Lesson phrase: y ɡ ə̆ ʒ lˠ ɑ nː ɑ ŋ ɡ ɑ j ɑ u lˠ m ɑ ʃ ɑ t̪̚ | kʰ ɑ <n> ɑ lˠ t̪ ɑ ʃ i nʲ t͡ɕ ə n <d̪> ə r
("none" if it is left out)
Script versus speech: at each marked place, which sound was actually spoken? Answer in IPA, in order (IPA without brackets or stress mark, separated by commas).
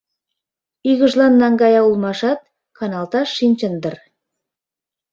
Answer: n, d̪